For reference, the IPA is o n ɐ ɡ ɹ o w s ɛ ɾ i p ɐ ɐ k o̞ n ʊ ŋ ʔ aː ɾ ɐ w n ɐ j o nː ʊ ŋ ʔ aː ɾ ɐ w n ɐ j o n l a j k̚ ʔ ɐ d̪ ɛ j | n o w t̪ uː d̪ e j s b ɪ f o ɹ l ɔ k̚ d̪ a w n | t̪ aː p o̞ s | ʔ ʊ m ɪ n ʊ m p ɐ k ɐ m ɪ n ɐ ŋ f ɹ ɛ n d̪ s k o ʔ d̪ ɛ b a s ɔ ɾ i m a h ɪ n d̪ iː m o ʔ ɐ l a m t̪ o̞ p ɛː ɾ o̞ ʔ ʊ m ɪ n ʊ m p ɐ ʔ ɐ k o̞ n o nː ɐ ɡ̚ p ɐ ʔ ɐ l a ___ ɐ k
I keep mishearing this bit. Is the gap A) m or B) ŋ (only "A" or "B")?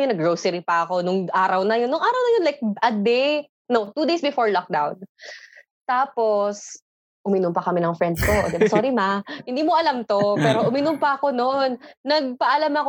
A